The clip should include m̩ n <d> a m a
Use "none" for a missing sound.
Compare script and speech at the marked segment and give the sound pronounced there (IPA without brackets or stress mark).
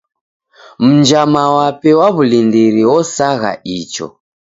d͡ʒ